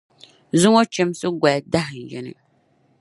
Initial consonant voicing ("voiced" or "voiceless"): voiced